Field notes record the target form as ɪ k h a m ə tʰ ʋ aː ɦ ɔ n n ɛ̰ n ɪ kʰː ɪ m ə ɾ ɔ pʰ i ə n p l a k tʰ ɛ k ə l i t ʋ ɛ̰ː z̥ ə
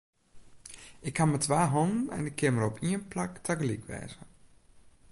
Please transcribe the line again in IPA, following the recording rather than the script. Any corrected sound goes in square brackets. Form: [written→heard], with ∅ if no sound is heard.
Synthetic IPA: ɪ k h a m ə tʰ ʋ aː ɦ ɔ n n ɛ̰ n ɪ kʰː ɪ m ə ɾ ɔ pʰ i ə n p l a k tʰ [ɛ→a] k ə l i [t→k] ʋ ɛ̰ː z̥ ə